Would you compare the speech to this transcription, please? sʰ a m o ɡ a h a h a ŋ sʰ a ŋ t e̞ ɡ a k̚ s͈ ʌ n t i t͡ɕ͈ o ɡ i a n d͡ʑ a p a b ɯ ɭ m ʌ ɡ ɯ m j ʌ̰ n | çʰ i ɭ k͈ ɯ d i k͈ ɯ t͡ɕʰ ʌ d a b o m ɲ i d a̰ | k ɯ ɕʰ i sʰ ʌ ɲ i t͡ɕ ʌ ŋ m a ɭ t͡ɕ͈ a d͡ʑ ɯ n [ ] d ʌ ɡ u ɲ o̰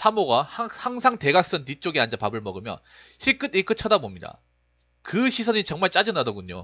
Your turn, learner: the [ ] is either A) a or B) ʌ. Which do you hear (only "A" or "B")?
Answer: A